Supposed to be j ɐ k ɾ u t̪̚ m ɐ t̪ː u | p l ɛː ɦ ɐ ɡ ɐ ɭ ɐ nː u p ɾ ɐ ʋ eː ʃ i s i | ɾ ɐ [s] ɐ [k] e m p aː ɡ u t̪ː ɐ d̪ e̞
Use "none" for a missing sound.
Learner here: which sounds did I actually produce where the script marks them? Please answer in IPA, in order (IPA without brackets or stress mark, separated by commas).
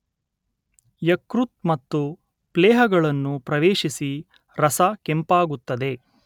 s, k